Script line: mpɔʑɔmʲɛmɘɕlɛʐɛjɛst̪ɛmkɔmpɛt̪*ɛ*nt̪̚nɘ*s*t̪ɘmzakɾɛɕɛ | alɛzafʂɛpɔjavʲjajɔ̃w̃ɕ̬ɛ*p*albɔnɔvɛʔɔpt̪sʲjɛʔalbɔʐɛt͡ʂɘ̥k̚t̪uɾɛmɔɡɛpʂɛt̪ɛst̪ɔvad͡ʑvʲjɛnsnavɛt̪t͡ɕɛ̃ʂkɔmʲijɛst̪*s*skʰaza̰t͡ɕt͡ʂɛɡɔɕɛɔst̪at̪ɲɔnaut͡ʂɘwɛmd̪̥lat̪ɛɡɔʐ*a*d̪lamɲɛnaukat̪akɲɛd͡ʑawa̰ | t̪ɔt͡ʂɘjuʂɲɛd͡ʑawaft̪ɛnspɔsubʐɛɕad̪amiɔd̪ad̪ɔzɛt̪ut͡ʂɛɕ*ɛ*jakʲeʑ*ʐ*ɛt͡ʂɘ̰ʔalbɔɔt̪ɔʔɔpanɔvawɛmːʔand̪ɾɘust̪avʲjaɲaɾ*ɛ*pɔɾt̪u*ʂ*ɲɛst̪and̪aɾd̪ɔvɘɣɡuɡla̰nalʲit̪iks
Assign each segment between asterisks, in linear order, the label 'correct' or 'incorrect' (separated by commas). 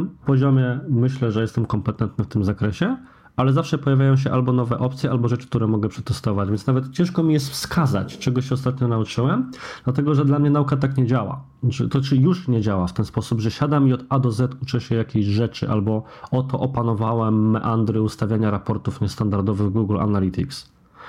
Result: correct, incorrect, incorrect, incorrect, incorrect, correct, correct, incorrect, incorrect